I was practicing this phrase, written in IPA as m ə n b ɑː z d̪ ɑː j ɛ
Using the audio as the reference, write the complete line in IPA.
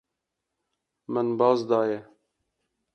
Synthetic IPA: m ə n b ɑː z d̪ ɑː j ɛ